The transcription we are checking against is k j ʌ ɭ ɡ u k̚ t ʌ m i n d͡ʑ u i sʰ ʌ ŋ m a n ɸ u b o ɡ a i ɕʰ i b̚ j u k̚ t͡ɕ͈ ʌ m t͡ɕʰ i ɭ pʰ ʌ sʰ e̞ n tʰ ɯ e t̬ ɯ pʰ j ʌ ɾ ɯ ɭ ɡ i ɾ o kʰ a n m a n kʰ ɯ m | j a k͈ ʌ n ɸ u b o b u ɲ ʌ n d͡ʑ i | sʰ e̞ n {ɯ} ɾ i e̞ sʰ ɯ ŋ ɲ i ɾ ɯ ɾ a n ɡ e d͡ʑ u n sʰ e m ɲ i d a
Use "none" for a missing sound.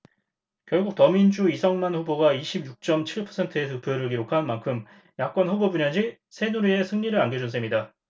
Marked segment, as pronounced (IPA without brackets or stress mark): u